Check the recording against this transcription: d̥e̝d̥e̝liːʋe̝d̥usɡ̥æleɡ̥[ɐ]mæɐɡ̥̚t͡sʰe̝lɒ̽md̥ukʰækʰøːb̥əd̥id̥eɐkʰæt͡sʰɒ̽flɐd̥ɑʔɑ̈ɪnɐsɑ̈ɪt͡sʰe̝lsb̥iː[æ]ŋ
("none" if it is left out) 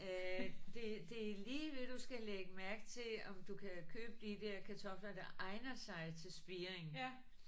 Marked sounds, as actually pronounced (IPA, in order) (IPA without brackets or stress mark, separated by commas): ə, e